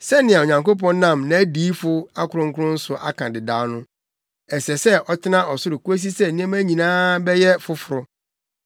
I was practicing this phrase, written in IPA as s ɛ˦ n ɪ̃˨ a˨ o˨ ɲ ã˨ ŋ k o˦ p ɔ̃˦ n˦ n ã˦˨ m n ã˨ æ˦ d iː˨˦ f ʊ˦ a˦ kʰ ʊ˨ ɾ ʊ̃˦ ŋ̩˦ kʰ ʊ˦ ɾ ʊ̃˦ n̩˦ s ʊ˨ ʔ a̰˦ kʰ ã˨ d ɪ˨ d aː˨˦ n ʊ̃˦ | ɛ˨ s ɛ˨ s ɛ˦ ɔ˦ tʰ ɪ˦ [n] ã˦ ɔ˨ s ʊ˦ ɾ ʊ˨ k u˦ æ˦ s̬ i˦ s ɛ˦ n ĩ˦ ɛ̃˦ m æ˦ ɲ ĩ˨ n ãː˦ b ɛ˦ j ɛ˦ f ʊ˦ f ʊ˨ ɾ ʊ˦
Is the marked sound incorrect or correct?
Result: correct